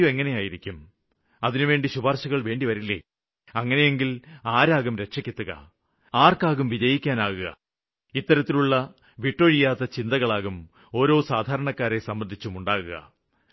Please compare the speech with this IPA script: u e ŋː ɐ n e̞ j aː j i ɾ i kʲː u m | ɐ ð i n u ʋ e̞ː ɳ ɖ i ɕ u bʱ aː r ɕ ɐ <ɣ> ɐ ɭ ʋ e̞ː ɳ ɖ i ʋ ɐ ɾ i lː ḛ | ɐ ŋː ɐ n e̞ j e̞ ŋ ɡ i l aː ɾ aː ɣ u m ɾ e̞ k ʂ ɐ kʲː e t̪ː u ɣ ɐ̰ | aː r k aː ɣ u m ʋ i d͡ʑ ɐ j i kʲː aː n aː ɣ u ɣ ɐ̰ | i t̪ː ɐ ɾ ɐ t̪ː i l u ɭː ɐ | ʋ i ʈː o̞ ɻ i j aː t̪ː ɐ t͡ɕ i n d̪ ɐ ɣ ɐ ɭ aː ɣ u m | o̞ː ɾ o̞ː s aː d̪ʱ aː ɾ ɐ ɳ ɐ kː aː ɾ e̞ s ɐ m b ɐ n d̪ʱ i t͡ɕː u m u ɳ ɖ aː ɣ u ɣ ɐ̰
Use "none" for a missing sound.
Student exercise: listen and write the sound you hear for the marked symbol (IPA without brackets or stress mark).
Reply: ɣ